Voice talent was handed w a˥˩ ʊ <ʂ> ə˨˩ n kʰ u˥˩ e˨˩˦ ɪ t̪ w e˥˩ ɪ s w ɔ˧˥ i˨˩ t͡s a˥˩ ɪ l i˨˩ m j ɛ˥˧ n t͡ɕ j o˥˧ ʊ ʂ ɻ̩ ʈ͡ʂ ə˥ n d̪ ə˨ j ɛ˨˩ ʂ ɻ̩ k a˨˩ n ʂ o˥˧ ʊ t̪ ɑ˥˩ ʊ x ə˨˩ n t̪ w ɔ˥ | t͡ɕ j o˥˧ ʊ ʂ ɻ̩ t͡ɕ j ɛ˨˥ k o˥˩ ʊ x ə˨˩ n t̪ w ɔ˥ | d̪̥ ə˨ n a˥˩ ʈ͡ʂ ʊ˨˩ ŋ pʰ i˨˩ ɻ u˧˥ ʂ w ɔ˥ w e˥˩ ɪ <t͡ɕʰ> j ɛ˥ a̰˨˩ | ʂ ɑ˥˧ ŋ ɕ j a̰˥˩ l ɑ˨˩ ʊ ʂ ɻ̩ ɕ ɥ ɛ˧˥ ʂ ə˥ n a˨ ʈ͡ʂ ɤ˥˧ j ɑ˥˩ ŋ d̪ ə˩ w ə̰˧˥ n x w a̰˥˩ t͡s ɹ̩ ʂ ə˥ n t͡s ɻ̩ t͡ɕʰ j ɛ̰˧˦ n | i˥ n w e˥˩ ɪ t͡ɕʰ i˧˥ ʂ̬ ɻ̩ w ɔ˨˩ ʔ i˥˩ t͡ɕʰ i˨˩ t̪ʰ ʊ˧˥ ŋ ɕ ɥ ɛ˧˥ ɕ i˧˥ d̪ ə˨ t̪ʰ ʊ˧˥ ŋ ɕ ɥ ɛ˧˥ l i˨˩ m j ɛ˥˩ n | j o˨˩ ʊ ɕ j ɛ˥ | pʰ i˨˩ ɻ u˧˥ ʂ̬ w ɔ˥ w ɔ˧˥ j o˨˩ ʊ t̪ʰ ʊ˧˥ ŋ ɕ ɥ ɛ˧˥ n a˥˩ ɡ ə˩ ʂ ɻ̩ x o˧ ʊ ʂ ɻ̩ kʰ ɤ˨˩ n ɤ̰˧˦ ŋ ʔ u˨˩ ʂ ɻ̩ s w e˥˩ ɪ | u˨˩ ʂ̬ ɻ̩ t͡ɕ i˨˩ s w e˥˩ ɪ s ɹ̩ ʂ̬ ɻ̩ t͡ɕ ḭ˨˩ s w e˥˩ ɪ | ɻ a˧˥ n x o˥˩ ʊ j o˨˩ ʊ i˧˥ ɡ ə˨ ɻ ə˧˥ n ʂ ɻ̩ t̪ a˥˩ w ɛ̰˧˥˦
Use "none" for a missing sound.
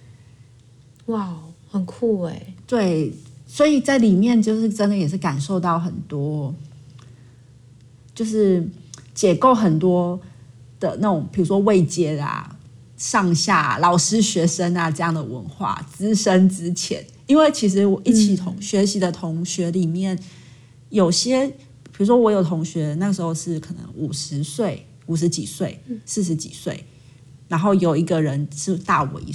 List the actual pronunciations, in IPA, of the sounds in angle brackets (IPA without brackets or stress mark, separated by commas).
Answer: h, t͡ɕ